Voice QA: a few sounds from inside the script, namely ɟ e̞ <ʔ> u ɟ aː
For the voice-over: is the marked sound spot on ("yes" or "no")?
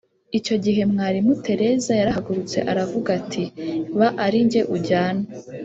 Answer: yes